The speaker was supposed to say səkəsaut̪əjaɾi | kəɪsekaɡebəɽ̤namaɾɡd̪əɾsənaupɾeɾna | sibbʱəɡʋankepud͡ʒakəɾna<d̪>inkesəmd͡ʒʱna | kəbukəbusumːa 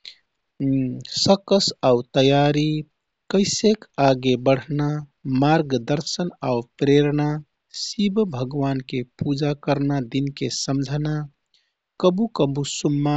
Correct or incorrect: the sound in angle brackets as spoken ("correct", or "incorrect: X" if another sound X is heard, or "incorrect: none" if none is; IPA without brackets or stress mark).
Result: correct